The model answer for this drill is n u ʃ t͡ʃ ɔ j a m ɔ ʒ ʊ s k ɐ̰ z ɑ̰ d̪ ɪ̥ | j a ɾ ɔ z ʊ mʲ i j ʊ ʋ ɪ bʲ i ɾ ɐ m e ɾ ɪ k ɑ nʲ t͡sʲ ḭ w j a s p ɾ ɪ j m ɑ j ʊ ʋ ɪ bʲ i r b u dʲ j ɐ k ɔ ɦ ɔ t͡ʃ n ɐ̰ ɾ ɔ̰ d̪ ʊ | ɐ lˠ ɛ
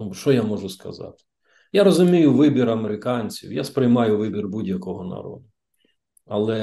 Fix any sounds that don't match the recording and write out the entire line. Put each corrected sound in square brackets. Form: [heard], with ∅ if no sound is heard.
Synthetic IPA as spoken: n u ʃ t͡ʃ ɔ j a m ɔ ʒ ʊ s k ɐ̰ z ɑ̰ [t̪] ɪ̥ | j a ɾ ɔ z ʊ mʲ i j ʊ ʋ ɪ bʲ i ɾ ɐ m e ɾ ɪ k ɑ nʲ t͡sʲ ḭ w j a s p ɾ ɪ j m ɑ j ʊ ʋ ɪ bʲ i r b u dʲ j ɐ k ɔ ɦ ɔ [∅] n ɐ̰ ɾ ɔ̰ d̪ ʊ | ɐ lˠ ɛ